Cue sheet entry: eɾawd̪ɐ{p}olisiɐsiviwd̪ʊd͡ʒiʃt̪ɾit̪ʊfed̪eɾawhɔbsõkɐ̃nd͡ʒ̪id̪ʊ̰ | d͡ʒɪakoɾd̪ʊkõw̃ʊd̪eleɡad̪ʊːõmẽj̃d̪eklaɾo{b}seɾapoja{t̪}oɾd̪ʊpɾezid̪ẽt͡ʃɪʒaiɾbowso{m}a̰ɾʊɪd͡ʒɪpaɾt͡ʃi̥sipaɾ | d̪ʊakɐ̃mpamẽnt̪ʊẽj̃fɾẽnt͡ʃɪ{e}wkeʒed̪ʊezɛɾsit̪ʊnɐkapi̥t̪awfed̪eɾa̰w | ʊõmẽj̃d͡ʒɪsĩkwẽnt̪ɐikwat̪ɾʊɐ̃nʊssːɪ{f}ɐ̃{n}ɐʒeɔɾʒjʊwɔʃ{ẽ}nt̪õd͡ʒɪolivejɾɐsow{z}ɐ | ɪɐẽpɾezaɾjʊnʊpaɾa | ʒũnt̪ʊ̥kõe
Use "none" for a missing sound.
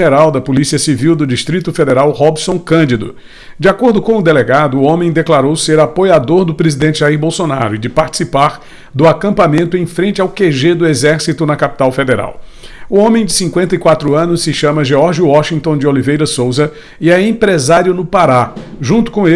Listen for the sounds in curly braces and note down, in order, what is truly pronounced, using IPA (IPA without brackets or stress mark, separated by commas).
p, w, d̪, n, a, ʃ, m, ĩ, z